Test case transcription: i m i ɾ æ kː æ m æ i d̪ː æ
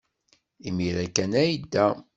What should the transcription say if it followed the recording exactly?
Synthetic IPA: i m i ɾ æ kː æ n æ j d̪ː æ

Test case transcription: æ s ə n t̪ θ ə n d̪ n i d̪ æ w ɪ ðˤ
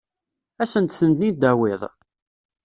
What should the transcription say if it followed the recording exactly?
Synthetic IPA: æ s ə n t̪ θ ə n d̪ n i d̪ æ w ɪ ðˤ

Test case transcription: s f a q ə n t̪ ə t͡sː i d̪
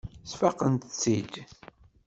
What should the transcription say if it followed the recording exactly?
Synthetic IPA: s f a q ə n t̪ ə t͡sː i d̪

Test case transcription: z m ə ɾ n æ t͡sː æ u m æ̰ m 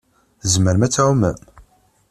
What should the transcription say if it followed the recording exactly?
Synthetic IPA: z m ə ɾ m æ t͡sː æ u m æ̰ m

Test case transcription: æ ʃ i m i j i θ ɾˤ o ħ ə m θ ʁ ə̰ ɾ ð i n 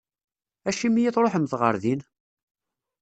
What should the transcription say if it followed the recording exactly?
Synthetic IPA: æ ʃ i m i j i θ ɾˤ o ħ ə m θ ʁ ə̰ ɾ ð i n

